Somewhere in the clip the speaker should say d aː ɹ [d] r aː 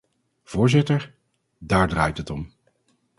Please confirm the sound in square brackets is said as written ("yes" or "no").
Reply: yes